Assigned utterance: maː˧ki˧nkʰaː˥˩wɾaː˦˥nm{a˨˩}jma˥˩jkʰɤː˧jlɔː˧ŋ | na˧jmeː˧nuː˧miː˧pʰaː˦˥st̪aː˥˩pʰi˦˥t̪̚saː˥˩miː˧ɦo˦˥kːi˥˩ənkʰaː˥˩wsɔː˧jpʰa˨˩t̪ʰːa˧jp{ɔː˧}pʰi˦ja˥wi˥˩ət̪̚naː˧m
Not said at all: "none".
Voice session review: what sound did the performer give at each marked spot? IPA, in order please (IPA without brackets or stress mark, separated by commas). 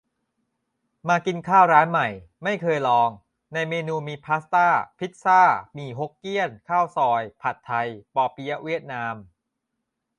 a˨˩, ɔː˧